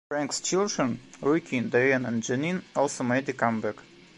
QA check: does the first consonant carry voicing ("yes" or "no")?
no